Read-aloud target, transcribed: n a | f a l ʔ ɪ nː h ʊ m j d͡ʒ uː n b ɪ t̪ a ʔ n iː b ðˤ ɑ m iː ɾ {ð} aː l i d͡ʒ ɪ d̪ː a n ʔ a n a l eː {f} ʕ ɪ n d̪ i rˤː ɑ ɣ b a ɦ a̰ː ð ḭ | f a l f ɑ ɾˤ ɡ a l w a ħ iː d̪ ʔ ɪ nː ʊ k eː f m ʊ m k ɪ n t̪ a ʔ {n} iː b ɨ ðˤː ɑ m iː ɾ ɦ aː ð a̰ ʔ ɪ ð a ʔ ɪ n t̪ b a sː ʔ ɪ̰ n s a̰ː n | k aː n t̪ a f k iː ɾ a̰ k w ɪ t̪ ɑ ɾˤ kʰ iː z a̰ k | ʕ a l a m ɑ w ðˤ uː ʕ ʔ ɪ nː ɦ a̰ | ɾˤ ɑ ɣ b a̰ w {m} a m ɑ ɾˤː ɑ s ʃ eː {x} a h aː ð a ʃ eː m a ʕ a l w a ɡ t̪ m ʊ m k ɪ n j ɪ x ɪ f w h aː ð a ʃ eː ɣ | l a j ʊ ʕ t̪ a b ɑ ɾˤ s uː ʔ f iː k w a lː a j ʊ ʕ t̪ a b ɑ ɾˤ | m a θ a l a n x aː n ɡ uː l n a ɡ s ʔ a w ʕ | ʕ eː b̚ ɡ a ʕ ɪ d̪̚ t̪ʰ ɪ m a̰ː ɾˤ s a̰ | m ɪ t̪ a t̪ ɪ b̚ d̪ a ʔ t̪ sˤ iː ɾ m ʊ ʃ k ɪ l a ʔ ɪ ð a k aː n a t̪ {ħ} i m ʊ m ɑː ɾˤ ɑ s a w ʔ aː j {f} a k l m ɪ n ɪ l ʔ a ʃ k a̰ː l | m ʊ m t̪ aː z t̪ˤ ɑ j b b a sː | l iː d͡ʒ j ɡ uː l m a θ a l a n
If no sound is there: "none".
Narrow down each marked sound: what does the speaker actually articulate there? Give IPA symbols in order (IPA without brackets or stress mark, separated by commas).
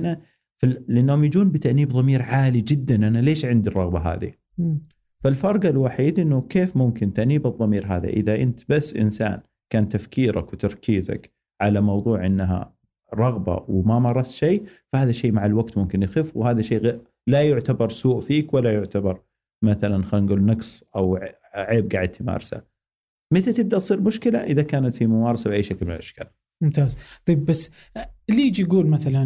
ʕ, ʃ, n, m, f, f, ʃ